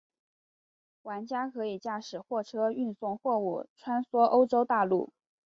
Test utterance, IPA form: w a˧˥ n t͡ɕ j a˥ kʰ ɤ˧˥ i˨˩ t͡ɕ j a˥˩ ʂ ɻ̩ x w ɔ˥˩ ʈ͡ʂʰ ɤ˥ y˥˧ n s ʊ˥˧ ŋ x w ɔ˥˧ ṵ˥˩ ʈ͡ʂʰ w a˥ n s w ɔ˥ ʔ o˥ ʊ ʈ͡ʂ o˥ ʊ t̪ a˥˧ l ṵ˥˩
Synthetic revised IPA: w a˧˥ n t͡ɕ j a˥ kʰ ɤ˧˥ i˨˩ t͡ɕ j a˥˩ ʂ ɻ̩ x w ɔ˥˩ ʈ͡ʂʰ ɤ˥ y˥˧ n s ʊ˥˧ ŋ x w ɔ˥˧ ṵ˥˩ ʈ͡ʂʰ w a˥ n s w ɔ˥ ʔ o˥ ʊ ʈ͡ʂ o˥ ʊ t̪ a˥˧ l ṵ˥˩